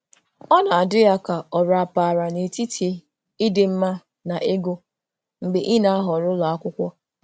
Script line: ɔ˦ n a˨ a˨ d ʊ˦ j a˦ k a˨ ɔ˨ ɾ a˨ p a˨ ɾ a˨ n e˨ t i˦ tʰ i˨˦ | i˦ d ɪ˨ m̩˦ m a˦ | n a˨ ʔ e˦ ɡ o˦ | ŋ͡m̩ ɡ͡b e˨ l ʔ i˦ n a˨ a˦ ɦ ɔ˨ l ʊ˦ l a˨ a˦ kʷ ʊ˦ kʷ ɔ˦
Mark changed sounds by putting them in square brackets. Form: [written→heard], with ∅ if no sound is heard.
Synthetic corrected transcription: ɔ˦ n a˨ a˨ d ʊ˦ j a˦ k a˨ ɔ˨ ɾ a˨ p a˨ ɾ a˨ n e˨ t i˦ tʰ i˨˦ | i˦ d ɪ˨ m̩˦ m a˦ | n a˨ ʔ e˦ ɡ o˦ | ŋ͡m̩ ɡ͡b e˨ [l→∅] ʔ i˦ n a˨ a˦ ɦ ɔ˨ [l→ɾ] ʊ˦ l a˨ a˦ kʷ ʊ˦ kʷ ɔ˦